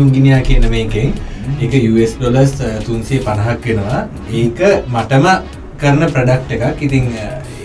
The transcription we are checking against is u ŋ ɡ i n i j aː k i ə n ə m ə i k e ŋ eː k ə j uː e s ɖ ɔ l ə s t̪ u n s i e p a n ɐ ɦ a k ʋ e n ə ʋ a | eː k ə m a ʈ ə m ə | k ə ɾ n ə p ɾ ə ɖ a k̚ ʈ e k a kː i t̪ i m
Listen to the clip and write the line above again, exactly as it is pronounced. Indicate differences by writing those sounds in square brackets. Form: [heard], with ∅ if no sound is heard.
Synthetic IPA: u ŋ ɡ i n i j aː k i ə n ə m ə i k e ŋ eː k ə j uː e s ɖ [o] l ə s t̪ u n s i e p a n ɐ ɦ a k ʋ e n ə ʋ a | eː k ə m a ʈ ə m ə | k ə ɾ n ə p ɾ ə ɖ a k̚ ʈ e k a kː i t̪ i [ŋ]